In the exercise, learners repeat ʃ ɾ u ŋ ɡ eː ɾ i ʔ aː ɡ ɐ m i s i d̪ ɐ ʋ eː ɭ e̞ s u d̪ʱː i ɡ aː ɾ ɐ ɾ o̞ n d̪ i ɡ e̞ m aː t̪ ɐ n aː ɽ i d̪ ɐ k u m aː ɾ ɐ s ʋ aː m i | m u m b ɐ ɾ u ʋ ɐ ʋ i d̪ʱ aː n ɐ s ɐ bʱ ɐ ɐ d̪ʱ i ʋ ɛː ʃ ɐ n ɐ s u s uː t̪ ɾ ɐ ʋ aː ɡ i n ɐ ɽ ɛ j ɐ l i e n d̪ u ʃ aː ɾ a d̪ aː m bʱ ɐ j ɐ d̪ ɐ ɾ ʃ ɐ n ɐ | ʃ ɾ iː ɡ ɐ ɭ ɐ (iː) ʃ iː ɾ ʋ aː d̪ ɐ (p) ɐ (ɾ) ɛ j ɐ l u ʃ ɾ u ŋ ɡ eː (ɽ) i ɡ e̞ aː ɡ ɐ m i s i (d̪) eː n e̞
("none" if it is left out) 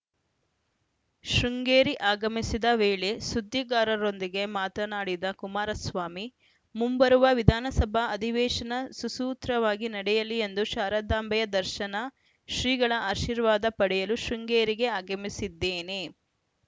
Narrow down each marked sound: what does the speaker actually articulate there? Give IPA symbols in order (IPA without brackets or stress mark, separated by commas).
aː, p, ɽ, ɾ, d̪ː